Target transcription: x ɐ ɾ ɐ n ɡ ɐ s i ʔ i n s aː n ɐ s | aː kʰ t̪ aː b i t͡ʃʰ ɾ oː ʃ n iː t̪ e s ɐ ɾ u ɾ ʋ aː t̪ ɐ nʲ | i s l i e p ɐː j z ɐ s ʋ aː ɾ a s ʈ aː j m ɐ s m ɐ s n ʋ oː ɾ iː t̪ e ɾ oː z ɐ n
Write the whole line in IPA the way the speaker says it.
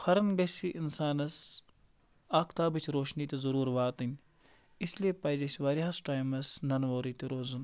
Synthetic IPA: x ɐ ɾ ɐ n ɡ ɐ s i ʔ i n s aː n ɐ s | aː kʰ t̪ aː b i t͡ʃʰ ɾ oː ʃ n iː t̪ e z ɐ ɾ uː ɾ ʋ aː t̪ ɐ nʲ | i s l i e p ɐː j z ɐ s ʋ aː ɾ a s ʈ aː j m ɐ s n ɐ n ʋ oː ɾ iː t̪ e ɾ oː z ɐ n